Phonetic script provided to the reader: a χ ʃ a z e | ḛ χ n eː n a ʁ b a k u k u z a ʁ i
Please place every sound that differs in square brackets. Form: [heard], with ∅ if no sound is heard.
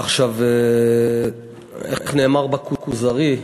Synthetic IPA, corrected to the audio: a χ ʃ a [v] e | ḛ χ n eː [m] a ʁ b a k u k u z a ʁ i